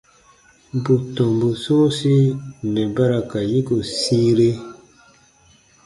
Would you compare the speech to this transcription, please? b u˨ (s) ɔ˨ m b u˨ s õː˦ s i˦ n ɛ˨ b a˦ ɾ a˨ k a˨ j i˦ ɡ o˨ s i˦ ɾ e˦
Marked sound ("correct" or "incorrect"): incorrect